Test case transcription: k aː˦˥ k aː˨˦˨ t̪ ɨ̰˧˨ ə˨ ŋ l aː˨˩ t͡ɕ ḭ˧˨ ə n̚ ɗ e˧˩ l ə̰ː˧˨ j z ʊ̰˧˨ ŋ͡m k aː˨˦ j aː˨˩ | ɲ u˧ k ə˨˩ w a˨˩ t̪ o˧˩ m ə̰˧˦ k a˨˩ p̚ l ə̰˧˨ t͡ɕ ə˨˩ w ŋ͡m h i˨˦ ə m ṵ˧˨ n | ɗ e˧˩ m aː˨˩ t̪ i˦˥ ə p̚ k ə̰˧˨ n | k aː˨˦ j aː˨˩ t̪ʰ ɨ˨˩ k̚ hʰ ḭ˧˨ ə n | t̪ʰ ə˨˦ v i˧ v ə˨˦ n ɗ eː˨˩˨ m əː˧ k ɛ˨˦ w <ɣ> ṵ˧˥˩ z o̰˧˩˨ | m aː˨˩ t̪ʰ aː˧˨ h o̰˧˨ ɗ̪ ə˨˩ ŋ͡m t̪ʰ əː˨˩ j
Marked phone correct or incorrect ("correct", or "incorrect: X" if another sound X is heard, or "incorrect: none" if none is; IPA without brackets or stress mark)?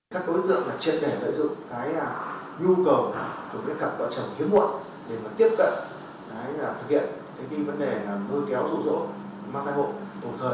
incorrect: z